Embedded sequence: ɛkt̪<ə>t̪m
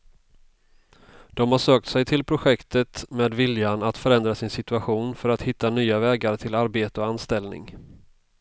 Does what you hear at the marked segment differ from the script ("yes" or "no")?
no